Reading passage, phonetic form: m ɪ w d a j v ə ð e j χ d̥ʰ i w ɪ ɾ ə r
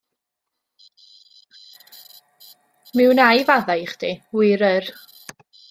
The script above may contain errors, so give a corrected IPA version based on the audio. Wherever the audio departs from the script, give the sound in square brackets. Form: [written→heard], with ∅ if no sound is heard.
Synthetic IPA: m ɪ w [d→n] a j v [ə→a] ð [e→a] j χ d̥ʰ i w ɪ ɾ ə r

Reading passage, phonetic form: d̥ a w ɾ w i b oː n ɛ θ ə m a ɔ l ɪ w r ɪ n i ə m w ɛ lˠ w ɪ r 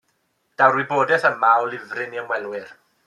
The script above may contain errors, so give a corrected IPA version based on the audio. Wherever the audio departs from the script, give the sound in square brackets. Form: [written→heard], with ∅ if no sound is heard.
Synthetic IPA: d̥ a w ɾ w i b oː [n→d] ɛ θ ə m a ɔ l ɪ [w→v] r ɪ n i ə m w ɛ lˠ w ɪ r

